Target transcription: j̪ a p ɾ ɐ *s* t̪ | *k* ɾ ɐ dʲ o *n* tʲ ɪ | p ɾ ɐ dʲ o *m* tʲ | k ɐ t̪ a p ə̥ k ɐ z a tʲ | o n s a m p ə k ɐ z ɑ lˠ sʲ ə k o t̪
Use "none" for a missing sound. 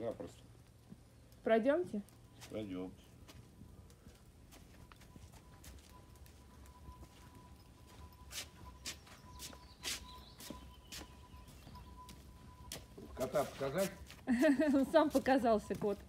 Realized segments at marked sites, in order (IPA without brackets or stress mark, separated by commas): s, p, m, m